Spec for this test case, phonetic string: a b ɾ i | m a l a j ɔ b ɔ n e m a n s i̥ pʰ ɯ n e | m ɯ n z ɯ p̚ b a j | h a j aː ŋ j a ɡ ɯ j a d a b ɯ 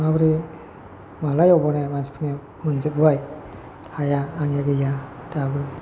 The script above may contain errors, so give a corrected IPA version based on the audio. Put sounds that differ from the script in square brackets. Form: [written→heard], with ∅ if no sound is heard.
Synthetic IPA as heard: a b ɾ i | m a l a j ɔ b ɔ n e m a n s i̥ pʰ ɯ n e | m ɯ n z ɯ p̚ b a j | h a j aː ŋ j a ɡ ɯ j a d a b ɯ